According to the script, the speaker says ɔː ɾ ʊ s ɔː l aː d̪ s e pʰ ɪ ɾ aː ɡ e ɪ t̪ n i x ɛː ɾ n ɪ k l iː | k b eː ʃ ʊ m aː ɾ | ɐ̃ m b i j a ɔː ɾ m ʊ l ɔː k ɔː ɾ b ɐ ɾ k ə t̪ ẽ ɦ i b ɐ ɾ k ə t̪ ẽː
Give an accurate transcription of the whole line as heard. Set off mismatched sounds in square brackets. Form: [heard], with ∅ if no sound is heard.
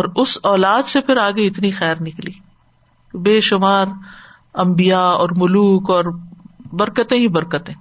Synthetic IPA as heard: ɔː ɾ ʊ s ɔː l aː d̪ s e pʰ ɪ ɾ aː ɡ e ɪ t̪ n i x ɛː ɾ n ɪ k l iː | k b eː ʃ ʊ m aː ɾ | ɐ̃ m b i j a ɔː ɾ m ʊ l [uː] k ɔː ɾ b ɐ ɾ k ə t̪ ẽ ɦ i b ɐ ɾ k ə t̪ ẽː